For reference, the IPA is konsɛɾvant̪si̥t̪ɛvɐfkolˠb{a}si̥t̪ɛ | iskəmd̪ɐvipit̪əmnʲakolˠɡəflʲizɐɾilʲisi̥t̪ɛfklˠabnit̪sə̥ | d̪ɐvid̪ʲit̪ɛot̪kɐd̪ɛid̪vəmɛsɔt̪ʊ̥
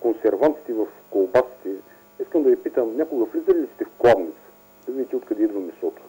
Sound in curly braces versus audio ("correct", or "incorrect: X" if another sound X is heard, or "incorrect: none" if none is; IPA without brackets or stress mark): correct